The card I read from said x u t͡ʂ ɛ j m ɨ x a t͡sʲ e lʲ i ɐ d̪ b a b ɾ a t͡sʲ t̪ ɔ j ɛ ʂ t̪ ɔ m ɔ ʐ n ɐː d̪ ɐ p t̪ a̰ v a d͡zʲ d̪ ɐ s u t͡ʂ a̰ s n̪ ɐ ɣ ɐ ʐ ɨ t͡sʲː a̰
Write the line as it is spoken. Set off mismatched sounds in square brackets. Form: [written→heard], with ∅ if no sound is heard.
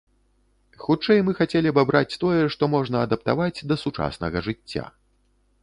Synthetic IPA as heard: x u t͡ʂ ɛ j m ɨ x a t͡sʲ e lʲ i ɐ [d̪→∅] b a b ɾ a t͡sʲ t̪ ɔ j ɛ ʂ t̪ ɔ m ɔ ʐ n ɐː d̪ ɐ p t̪ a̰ v a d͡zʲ d̪ ɐ s u t͡ʂ a̰ s n̪ ɐ ɣ ɐ ʐ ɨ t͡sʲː a̰